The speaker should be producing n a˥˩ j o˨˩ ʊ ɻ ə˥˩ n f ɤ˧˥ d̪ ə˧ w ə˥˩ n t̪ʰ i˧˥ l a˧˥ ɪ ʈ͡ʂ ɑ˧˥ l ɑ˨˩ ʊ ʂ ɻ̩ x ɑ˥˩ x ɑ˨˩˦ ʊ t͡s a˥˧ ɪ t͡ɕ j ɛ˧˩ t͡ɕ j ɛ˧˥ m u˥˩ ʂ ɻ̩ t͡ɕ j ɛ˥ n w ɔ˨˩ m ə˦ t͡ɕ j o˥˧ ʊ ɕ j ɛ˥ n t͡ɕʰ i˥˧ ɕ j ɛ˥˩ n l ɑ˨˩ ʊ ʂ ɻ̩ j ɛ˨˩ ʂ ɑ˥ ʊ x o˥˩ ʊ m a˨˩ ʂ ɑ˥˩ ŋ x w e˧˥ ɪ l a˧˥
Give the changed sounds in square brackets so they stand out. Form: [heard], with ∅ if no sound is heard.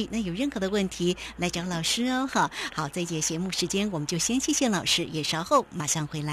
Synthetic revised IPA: n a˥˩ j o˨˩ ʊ ɻ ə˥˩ n [x] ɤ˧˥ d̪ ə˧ w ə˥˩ n t̪ʰ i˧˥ l a˧˥ ɪ ʈ͡ʂ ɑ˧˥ l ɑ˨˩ ʊ ʂ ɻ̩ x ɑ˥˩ x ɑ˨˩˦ ʊ t͡s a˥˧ ɪ t͡ɕ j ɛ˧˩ t͡ɕ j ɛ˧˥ m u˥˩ ʂ ɻ̩ t͡ɕ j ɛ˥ n w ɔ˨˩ m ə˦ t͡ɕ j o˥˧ ʊ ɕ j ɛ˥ n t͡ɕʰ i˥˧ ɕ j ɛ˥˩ n l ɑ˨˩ ʊ ʂ ɻ̩ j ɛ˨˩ ʂ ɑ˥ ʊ x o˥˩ ʊ m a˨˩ ʂ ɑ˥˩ ŋ x w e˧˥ ɪ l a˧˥